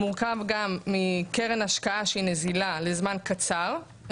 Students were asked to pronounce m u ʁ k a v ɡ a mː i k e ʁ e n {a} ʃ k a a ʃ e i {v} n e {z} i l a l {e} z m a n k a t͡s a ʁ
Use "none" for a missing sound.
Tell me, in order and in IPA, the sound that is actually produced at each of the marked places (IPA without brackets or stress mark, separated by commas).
a, none, z, e